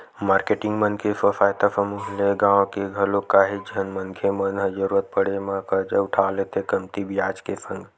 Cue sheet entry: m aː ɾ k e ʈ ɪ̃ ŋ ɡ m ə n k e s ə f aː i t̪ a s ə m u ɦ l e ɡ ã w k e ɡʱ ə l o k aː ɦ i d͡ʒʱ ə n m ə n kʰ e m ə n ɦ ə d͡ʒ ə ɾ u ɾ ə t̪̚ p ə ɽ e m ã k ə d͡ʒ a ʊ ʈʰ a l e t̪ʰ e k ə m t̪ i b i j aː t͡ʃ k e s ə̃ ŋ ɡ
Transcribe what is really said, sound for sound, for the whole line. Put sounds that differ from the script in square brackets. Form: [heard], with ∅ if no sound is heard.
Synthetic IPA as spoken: m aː ɾ k e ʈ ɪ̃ ŋ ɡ m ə n k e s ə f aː [j] t̪ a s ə m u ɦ l e ɡ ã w k e ɡʱ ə l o k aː ɦ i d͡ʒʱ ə n m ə n kʰ e m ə n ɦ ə d͡ʒ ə ɾ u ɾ ə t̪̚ p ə ɽ e m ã k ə d͡ʒ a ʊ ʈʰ a l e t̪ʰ e k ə m t̪ i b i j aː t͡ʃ k e s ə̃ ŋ ɡ